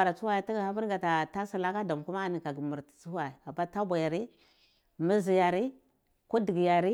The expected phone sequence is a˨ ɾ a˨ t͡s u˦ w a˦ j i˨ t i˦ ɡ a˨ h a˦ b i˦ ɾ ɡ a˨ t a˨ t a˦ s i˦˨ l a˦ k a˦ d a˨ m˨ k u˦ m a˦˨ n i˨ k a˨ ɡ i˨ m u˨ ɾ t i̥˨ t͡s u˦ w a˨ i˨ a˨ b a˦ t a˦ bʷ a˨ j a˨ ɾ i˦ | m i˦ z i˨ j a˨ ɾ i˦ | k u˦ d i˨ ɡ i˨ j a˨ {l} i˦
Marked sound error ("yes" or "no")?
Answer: yes